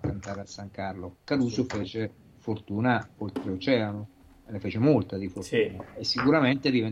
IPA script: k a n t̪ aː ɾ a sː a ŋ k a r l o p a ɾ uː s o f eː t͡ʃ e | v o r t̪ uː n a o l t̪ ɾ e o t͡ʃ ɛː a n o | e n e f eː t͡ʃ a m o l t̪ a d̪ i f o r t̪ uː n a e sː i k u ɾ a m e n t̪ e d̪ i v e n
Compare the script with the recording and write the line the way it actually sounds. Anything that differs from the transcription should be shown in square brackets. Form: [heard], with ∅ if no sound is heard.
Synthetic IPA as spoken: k a n t̪ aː ɾ a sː a ŋ k a r l o [k] a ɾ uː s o f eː t͡ʃ e | [f] o r t̪ uː n a o l t̪ ɾ e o t͡ʃ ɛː a n o | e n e f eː t͡ʃ [e] m o l t̪ a d̪ i f o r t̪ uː n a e sː i k u ɾ a m e n t̪ e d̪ i v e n